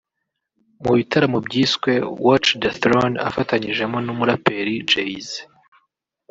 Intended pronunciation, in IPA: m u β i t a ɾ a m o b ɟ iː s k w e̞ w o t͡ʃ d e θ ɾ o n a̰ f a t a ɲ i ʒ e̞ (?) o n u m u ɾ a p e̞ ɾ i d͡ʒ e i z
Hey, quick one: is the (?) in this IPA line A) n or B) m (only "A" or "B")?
B